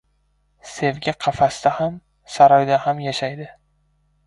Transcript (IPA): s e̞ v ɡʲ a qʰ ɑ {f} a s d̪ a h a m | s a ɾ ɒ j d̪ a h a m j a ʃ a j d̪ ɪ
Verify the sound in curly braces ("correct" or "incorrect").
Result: correct